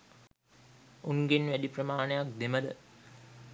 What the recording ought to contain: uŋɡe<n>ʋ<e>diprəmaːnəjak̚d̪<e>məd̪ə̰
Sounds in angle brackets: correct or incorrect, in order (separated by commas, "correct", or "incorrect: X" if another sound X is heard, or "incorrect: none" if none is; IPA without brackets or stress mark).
correct, incorrect: æ, correct